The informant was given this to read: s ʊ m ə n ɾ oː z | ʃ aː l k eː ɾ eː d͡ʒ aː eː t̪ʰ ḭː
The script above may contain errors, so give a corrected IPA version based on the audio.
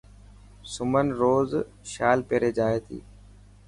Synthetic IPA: s ʊ m ə n ɾ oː z | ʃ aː l p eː ɾ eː d͡ʒ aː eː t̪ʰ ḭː